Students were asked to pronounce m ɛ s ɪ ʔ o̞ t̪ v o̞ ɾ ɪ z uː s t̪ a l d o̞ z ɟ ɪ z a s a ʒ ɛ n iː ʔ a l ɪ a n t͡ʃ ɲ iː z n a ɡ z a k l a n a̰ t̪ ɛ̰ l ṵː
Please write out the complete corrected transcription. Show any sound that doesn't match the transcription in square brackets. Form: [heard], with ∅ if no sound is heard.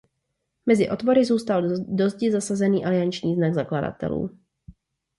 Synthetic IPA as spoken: m ɛ [z] ɪ ʔ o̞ t̪ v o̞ ɾ ɪ z uː s t̪ a l d o̞ z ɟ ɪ z a s a [z] ɛ n iː ʔ a l ɪ a n t͡ʃ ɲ iː z n a ɡ z a k l a [d] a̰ t̪ ɛ̰ l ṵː